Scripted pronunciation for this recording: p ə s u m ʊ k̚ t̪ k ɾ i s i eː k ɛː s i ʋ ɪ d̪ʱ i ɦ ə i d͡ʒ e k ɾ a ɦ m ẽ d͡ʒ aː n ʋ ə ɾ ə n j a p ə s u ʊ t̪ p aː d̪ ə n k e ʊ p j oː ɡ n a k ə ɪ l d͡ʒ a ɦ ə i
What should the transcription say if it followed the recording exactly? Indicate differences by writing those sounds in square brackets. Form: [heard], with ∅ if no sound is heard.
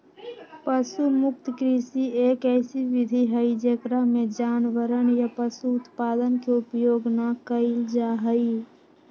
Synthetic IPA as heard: p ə s u m ʊ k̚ t̪ k ɾ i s i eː k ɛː s i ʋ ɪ d̪ʱ i ɦ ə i d͡ʒ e k ɾ a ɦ m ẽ d͡ʒ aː n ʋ ə ɾ ə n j a p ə s u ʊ t̪ p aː d̪ ə n k e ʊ p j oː ɡ n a k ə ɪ l d͡ʒ a ɦ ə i